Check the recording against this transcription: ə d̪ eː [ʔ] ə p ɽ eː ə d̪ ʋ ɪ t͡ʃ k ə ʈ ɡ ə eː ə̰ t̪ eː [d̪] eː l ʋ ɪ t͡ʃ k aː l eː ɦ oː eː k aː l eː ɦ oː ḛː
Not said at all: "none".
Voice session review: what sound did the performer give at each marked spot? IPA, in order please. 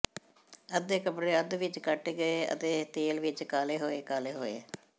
k, t̪

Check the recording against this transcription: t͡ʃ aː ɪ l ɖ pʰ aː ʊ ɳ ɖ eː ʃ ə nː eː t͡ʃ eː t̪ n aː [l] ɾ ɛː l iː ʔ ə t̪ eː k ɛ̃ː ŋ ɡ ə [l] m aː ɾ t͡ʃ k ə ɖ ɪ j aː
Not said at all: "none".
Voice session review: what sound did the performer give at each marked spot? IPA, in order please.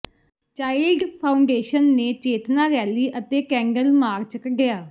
none, l

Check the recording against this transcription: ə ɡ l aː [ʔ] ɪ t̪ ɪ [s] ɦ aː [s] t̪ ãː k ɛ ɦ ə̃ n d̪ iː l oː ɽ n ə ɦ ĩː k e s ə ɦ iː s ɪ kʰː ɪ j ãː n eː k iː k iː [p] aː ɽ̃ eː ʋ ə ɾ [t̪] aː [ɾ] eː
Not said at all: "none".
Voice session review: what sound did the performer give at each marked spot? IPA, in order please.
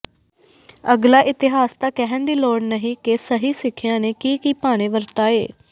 ʔ, none, s, p, t̪, none

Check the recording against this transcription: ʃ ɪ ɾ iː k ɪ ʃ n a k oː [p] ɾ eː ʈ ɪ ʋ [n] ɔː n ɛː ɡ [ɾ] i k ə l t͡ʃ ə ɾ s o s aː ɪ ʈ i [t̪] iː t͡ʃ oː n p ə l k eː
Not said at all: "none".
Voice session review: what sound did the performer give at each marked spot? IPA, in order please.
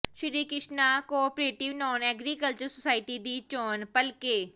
p, n, ɾ, d̪

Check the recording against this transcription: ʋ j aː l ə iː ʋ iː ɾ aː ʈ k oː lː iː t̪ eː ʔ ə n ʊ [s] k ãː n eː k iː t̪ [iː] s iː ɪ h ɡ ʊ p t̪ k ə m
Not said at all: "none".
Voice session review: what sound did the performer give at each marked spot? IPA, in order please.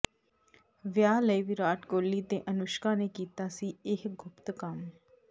ʃ, aː

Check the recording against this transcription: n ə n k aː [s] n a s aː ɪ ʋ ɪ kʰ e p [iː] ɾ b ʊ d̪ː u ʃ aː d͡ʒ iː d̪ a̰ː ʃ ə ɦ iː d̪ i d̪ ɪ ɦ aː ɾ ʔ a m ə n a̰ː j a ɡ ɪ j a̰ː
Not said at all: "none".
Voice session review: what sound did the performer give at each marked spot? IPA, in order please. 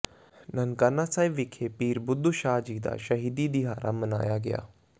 none, iː

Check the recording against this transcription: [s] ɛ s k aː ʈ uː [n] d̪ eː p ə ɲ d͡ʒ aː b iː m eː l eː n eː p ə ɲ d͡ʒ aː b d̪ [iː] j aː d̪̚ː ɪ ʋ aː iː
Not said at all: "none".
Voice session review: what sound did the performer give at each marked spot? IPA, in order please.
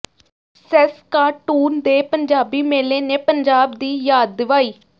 s, n, iː

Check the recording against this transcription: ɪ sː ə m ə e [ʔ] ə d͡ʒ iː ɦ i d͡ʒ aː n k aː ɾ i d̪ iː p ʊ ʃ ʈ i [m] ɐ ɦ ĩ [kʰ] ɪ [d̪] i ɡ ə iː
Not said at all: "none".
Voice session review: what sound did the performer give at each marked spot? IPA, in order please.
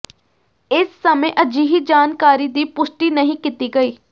ʔ, n, k, t̪

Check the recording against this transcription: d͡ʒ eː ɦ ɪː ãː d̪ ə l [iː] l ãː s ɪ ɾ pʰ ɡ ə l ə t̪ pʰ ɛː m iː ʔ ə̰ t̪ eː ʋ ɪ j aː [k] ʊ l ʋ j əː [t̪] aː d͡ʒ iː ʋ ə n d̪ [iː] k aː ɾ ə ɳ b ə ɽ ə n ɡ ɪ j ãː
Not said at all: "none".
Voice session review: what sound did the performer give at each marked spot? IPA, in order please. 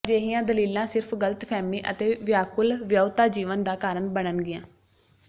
iː, k, t̪, aː

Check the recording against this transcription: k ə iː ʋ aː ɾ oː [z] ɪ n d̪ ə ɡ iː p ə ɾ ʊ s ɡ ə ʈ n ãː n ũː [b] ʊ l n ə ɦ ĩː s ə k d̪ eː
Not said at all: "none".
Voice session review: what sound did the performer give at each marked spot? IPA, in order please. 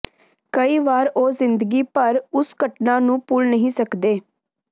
z, p

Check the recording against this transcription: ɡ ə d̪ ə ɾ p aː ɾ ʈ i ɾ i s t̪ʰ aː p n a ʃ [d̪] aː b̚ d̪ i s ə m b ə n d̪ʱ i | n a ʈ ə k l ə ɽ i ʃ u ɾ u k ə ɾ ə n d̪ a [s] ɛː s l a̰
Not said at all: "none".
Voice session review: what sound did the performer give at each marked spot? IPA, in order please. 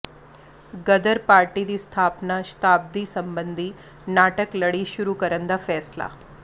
t̪, f

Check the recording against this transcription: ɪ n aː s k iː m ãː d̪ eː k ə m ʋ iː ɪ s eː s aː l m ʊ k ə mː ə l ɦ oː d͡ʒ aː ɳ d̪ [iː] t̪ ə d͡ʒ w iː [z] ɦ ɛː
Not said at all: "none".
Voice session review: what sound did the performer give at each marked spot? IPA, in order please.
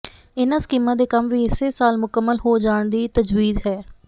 iː, z

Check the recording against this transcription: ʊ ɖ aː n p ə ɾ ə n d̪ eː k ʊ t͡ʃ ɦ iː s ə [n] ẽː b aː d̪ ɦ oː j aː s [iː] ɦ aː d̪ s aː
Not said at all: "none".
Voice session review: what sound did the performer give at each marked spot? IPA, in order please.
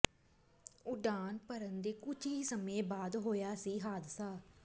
m, iː

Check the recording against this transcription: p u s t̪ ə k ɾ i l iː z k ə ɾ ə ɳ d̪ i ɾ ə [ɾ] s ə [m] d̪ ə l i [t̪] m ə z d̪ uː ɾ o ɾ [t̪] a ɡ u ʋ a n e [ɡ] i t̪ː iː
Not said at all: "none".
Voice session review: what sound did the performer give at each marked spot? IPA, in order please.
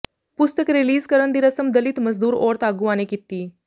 none, m, t̪, t̪, k

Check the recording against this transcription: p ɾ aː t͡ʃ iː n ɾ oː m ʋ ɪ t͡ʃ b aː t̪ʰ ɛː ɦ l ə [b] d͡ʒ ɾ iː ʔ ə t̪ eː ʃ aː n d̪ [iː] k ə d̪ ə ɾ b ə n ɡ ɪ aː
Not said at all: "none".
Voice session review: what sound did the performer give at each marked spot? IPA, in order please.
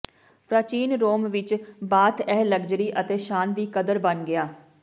ɡ, iː

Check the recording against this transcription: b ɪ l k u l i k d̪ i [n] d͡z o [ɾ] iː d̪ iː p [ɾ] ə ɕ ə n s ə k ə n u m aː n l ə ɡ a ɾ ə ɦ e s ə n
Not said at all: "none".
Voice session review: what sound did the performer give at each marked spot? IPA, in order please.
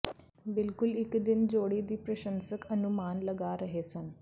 n, ɽ, ɾ

